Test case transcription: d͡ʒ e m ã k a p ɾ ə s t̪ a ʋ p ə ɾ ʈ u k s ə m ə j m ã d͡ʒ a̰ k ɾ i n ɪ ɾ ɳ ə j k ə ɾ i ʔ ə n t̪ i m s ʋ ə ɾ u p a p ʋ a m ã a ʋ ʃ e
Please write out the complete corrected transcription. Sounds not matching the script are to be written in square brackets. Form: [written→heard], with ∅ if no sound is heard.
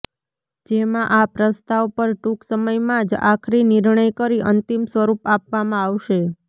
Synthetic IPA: d͡ʒ e m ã [k→ʔ] a p ɾ ə s t̪ a ʋ p ə ɾ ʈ u k s ə m ə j m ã d͡ʒ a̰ [k→kʰ] ɾ i n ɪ ɾ ɳ ə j k ə ɾ i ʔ ə n t̪ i m s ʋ ə ɾ u p a p ʋ a m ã a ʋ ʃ e

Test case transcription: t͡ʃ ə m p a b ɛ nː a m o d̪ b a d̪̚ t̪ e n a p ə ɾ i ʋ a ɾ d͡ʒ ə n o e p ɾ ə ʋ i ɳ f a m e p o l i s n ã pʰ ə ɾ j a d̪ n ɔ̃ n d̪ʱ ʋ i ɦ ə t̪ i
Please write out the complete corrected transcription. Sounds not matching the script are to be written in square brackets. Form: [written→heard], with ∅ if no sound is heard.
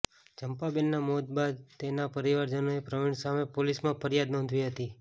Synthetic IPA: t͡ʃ ə m p a b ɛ nː a m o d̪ b a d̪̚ t̪ e n a p ə ɾ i ʋ a ɾ d͡ʒ ə n o e p ɾ ə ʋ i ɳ [f→s] a m e p o l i s [n→m] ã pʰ ə ɾ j a d̪ n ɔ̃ n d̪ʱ ʋ i ɦ ə t̪ i

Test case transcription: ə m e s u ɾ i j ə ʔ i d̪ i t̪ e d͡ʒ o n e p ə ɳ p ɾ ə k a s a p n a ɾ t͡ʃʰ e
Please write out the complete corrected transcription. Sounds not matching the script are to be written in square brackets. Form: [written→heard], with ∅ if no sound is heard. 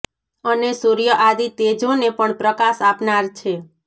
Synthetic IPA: ə [m→n] e s u ɾ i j ə ʔ [i→a] d̪ i t̪ e d͡ʒ o n e p ə ɳ p ɾ ə k a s a p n a ɾ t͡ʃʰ e

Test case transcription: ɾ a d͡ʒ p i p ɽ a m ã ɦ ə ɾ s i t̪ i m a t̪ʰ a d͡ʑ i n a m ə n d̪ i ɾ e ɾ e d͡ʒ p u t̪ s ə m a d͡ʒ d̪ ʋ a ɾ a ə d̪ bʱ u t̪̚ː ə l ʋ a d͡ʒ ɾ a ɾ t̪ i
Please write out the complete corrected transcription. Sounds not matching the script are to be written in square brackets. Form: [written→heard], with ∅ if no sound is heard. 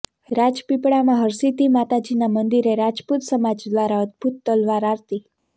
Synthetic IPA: ɾ a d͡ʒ p i p ɽ a m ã ɦ ə ɾ s i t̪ i m a [t̪ʰ→t̪] a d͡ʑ i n a m ə n d̪ i ɾ e ɾ [e→a] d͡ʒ p u t̪ s ə m a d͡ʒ d̪ ʋ a ɾ a ə d̪ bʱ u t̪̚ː ə l ʋ a [d͡ʒ→∅] ɾ a ɾ t̪ i

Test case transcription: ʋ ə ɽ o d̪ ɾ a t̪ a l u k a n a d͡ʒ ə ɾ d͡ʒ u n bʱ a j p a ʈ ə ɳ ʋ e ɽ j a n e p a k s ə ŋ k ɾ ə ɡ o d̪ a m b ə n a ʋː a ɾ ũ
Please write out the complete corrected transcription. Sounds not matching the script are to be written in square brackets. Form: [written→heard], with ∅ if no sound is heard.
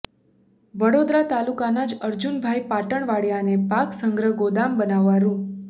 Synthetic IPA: ʋ ə ɽ o d̪ ɾ a t̪ a l u k a n a d͡ʒ ə ɾ d͡ʒ u n bʱ a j p a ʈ ə ɳ ʋ [e→a] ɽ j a n e p a k s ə ŋ [k→ɡ] ɾ ə ɡ o d̪ a m b ə n a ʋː a ɾ ũ

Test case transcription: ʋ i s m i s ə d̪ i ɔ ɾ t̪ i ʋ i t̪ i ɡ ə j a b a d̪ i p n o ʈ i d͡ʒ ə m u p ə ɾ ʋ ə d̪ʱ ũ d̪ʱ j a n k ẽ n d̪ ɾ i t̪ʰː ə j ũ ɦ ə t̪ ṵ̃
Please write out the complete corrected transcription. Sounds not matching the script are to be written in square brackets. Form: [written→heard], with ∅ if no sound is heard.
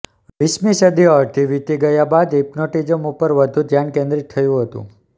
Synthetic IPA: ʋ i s m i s ə d̪ i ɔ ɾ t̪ i ʋ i t̪ i ɡ ə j a b a d̪ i p n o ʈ i d͡ʒ ə m u p ə ɾ ʋ ə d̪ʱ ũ d̪ʱ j a n k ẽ n d̪ ɾ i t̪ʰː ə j ũ ɦ ə t̪ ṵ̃

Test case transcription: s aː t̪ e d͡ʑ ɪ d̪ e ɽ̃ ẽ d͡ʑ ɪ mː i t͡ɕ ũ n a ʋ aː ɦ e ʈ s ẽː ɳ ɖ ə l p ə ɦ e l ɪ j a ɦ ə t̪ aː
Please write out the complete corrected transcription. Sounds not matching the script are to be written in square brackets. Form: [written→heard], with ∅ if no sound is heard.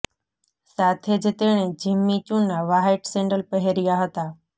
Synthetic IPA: s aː [t̪→t̪ʰ] e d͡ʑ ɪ [d̪→t̪] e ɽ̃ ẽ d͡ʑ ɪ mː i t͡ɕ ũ n a ʋ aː ɦ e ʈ s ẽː ɳ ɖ ə l p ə ɦ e [l→ɾ] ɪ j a ɦ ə t̪ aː

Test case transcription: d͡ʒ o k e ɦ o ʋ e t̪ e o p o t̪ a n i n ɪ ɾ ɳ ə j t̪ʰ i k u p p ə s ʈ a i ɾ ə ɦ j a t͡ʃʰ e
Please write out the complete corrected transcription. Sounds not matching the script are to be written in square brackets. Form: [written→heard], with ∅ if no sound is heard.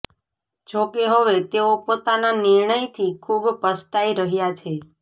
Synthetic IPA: d͡ʒ o k e ɦ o ʋ e t̪ e o p o t̪ a n [i→a] n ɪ ɾ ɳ ə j t̪ʰ i [k→kʰ] u [p→b] p ə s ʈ a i ɾ ə ɦ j a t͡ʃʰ e

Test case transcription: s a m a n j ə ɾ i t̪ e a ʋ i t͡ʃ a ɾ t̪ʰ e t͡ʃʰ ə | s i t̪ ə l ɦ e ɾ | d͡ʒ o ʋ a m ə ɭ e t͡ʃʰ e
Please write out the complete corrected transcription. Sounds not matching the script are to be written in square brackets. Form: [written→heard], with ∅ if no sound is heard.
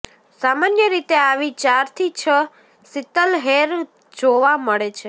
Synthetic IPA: s a m a n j ə ɾ i t̪ e a ʋ i t͡ʃ a ɾ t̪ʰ [e→i] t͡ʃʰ ə | s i t̪ ə l ɦ e ɾ | d͡ʒ o ʋ a m ə ɭ e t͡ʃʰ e

